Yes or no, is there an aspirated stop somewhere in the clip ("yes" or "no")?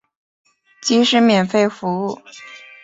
no